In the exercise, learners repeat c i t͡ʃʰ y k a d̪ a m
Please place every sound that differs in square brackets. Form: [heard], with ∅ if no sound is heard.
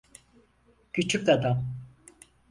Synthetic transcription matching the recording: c [y] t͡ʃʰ y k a d̪ a m